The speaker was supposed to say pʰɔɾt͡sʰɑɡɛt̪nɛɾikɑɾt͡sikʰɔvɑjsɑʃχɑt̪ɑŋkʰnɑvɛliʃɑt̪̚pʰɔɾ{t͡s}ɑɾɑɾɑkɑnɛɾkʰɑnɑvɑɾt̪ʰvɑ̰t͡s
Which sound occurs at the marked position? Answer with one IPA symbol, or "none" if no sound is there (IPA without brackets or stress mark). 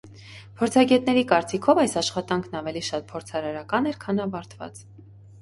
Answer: t͡sʰ